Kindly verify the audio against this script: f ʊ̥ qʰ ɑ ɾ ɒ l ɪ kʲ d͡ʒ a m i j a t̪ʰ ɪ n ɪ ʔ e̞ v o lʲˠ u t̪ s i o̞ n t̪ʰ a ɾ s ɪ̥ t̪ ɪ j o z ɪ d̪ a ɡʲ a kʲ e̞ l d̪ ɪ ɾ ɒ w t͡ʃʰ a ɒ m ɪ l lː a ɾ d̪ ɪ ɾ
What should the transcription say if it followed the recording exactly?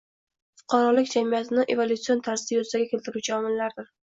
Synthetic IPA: f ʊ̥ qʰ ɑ ɾ ɒ l ɪ kʲ d͡ʒ a m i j a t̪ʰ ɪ n ɪ ʔ e̞ v o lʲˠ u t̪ s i o̞ n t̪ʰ a ɾ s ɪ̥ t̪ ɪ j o z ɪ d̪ a ɡʲ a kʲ e̞ l t̪ ɪ ɾ u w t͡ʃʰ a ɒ m ɪ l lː a ɾ d̪ ɪ ɾ